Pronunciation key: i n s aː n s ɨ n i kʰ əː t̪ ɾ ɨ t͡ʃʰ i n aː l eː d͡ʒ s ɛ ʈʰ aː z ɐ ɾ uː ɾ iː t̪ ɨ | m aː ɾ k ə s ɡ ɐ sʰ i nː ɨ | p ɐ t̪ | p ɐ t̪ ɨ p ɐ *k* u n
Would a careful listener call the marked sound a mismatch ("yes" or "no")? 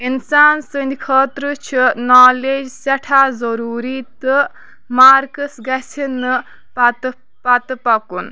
no